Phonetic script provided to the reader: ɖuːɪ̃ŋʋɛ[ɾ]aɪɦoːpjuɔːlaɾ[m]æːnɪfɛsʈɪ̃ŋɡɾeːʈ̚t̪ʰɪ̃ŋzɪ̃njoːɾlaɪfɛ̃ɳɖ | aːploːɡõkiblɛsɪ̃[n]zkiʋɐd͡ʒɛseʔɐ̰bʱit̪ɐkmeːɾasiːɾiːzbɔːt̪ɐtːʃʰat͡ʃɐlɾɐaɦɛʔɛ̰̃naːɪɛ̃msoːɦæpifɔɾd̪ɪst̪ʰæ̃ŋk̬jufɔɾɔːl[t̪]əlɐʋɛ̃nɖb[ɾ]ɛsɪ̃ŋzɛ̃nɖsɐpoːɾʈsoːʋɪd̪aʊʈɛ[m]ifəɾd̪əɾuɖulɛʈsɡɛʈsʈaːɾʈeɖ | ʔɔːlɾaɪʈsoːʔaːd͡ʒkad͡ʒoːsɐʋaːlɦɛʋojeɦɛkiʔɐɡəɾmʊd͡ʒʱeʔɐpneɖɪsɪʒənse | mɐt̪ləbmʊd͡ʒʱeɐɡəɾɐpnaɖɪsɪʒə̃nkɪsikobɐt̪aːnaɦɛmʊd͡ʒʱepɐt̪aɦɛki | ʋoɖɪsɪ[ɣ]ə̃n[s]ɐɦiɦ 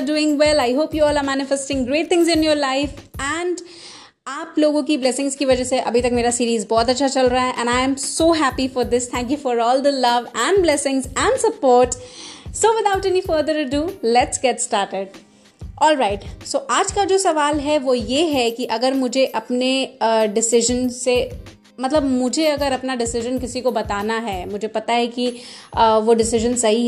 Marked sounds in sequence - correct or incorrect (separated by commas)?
incorrect, correct, incorrect, incorrect, incorrect, incorrect, incorrect, correct